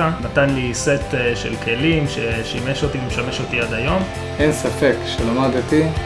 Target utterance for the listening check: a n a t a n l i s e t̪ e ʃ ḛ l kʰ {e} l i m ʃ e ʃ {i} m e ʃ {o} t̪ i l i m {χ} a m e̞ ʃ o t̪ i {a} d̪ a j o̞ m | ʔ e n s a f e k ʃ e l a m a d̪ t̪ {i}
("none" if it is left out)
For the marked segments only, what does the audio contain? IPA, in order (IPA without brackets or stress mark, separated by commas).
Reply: e, i, o, ʃ, a, i